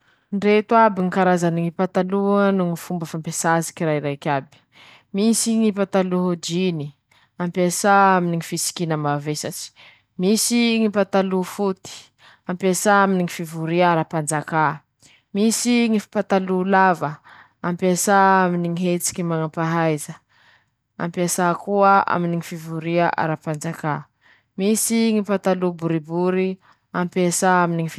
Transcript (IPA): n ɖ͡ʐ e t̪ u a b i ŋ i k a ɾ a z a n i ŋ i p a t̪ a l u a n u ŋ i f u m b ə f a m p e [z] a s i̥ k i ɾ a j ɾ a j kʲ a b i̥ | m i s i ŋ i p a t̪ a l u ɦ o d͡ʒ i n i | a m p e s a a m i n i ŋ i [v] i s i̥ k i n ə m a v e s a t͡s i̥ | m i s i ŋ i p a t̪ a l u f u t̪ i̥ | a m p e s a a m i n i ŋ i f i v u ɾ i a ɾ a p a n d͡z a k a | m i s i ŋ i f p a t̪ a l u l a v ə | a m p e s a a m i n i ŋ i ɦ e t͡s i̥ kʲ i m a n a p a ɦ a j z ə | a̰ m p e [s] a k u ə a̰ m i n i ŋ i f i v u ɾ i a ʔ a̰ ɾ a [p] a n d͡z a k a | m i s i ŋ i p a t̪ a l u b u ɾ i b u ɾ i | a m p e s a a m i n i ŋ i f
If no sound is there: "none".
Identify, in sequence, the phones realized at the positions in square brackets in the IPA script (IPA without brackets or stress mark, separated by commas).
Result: s, f, s, p